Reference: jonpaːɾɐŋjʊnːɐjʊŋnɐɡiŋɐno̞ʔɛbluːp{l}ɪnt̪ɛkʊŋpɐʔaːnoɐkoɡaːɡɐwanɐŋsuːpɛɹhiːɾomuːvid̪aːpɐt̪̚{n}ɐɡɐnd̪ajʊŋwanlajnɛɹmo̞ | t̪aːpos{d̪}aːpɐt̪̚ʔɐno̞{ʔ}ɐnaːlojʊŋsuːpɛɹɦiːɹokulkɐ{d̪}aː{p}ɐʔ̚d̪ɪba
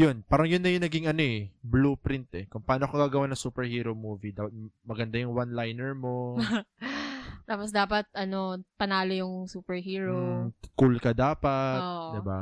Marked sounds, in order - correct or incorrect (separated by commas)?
incorrect, incorrect, correct, incorrect, correct, correct